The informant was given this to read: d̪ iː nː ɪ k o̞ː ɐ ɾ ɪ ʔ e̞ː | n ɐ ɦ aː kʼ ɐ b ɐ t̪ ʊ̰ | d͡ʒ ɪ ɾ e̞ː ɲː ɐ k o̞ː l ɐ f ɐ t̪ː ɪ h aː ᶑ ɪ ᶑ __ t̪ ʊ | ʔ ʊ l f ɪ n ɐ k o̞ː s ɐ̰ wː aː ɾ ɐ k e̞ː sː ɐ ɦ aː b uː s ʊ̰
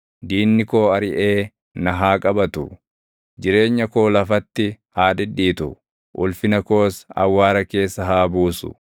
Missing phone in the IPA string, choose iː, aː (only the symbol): iː